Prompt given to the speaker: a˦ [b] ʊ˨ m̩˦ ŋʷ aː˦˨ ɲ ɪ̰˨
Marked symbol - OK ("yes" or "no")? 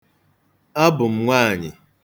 yes